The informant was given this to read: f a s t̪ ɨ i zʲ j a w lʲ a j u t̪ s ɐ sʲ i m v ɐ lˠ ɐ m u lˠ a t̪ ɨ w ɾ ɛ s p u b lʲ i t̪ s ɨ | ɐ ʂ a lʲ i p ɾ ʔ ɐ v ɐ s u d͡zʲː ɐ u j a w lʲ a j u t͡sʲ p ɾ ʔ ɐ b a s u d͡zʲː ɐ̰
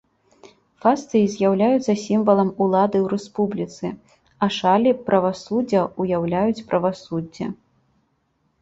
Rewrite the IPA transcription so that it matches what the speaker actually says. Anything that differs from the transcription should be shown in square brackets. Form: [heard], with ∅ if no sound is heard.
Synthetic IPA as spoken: f a s t̪ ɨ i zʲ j a w lʲ a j u t̪ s ɐ sʲ i m v ɐ lˠ ɐ m u lˠ a [d̪] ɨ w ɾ ɛ s p u b lʲ i t̪ s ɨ | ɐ ʂ a lʲ i p ɾ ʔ ɐ v [a] s u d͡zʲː ɐ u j a w lʲ a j u t͡sʲ p ɾ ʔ ɐ [v] a s u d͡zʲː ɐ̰